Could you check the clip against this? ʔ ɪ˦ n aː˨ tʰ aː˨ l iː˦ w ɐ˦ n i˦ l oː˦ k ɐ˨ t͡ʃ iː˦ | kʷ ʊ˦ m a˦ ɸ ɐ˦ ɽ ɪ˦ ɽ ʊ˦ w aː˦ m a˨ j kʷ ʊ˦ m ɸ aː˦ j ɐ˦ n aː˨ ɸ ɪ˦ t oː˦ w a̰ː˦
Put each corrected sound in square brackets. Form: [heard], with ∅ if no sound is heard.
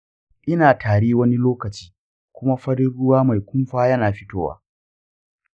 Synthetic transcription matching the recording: ʔ ɪ˦ n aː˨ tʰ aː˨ [ɽ] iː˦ w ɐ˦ n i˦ l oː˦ k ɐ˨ t͡ʃ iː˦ | kʷ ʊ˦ m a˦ ɸ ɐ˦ ɽ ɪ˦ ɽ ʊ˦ w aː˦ m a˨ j kʷ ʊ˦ m ɸ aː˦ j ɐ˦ n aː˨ ɸ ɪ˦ t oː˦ w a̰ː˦